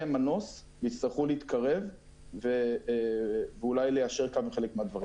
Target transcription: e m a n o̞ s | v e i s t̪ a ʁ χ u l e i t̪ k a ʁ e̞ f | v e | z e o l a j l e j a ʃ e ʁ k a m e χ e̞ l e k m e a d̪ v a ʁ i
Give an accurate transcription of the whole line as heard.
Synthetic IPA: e m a n o̞ s | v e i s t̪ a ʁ χ u l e i t̪ k a ʁ e̞ v | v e | v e u l a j l e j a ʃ e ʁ k a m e χ e̞ l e k m e a d̪ v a ʁ i